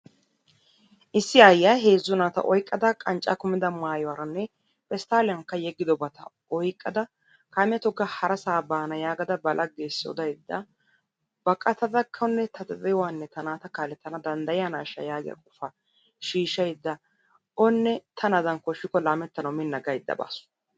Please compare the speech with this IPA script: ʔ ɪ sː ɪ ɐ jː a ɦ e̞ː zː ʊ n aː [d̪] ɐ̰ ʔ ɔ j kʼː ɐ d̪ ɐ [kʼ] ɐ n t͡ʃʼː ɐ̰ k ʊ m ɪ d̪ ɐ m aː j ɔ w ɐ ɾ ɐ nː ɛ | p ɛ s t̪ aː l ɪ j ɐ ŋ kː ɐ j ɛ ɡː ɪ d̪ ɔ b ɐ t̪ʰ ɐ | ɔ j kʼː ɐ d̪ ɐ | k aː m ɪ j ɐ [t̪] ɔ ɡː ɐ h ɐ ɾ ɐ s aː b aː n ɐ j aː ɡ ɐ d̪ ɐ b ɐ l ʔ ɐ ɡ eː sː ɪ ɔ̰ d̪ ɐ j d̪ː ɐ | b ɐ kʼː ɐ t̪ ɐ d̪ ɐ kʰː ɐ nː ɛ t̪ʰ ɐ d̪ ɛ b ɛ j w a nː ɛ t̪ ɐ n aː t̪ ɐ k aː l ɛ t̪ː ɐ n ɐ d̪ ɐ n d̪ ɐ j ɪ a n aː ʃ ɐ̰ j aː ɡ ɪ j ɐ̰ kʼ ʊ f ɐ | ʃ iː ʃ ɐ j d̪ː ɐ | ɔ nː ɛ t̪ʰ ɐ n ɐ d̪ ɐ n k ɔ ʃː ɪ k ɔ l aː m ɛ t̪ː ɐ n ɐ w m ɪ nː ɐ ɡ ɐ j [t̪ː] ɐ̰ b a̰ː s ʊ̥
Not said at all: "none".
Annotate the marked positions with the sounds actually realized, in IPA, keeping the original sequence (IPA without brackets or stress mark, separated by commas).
t̪, kʼ, t̪, d̪ː